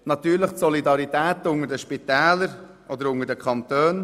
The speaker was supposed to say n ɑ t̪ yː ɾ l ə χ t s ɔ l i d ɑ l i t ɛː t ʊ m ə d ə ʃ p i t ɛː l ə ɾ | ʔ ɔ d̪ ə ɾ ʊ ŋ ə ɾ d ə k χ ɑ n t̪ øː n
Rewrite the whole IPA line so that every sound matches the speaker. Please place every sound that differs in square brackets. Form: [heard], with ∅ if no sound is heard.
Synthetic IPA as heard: n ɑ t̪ yː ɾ l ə χ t s ɔ l i d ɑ [ɾ] i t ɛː t ʊ [ŋ] ə d ə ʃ p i t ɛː l ə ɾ | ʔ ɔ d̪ ə ɾ ʊ ŋ ə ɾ d ə k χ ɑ n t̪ øː n